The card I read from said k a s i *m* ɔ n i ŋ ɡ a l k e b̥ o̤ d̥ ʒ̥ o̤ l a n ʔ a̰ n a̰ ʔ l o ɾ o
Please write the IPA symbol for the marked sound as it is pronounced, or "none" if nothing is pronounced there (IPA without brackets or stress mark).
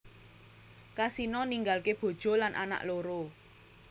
n